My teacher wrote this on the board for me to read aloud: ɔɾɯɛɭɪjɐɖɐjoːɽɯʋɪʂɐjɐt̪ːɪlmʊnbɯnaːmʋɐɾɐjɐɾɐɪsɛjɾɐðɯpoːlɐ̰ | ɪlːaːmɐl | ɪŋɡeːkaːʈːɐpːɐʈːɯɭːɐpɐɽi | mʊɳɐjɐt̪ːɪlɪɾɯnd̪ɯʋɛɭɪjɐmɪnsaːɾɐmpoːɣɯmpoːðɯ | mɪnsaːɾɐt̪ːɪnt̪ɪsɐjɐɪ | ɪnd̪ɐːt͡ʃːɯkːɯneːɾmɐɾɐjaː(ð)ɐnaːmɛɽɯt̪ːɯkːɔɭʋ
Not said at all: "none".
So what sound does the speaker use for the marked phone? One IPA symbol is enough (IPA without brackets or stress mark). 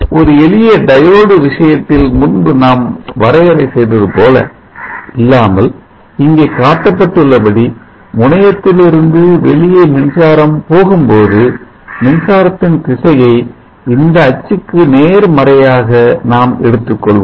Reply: ɣ